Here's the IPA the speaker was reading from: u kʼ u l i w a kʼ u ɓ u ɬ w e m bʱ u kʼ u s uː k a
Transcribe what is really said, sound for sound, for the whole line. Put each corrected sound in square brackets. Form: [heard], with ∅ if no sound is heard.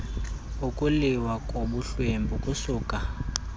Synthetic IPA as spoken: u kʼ u l i w a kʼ [o] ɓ u ɬ w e m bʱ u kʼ u s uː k a